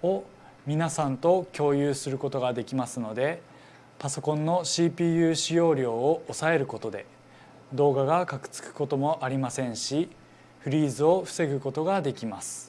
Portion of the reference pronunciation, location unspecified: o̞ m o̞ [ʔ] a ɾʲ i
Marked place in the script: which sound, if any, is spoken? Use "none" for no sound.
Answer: ʔ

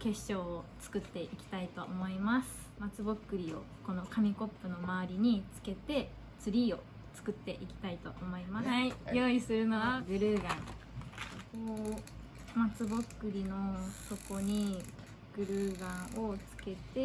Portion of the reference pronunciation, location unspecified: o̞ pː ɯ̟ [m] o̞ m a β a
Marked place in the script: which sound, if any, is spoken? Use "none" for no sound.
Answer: n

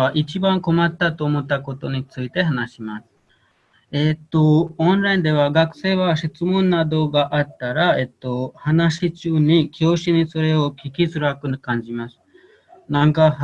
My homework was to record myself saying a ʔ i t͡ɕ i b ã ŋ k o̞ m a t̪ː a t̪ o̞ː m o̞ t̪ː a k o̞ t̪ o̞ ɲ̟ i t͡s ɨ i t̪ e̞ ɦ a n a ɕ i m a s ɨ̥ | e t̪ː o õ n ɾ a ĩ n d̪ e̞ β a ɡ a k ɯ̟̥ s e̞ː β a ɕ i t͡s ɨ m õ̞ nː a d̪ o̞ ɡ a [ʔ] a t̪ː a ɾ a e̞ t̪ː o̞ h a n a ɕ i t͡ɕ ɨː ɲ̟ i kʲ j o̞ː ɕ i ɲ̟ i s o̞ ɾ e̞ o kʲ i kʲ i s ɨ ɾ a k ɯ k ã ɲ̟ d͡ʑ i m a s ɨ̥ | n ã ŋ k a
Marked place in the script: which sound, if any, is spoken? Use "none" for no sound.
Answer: ʔ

